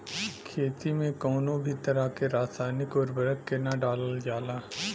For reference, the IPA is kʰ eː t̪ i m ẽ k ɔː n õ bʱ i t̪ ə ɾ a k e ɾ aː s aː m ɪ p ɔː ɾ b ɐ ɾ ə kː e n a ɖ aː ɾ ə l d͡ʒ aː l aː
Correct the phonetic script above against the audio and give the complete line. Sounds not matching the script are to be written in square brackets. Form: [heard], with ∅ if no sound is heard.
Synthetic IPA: kʰ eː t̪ i m ẽ k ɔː n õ bʱ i t̪ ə ɾ a k e ɾ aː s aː [n] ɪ [k] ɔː ɾ b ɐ ɾ ə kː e n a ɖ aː [l] ə l d͡ʒ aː l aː